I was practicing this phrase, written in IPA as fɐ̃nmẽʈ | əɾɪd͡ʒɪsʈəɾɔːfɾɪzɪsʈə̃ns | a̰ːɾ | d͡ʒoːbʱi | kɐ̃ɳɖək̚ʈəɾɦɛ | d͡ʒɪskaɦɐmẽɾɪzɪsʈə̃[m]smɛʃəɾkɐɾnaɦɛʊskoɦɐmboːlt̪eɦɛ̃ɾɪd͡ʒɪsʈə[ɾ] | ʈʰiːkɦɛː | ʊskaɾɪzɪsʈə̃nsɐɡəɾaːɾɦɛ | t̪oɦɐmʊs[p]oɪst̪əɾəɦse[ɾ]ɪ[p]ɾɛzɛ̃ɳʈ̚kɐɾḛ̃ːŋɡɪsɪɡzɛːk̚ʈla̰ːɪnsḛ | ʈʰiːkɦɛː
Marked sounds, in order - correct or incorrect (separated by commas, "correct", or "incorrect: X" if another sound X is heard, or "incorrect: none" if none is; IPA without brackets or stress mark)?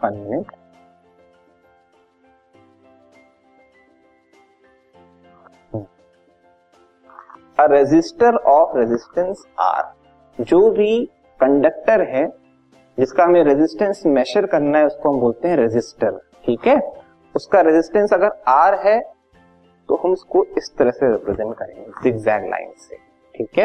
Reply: incorrect: n, correct, incorrect: k, correct, correct